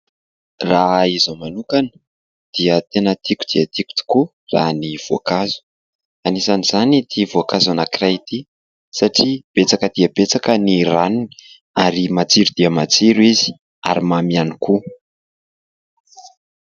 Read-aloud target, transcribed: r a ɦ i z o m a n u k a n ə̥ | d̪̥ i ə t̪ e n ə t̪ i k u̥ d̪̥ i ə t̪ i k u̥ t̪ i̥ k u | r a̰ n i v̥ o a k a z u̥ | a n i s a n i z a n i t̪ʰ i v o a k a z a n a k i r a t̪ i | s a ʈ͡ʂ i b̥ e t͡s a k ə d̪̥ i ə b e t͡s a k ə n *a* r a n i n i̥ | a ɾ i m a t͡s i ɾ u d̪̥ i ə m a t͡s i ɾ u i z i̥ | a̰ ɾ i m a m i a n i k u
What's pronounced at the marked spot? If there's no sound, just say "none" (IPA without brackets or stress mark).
i